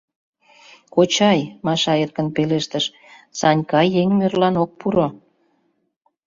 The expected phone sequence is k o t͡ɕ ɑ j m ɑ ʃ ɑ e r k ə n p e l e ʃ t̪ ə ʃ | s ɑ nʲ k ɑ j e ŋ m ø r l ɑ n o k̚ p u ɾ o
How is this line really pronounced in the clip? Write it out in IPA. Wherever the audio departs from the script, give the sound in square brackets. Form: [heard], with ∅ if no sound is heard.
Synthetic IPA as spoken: k o t͡ɕ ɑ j m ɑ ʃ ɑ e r k ə n p e l e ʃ t̪ ə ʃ | s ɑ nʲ k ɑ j e ŋ m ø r l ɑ n o k̚ p u ɾ o